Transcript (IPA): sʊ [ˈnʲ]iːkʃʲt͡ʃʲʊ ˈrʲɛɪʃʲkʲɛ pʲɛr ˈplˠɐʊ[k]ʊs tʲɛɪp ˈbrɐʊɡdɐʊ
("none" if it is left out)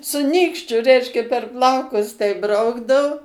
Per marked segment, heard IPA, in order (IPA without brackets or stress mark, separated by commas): nʲ, k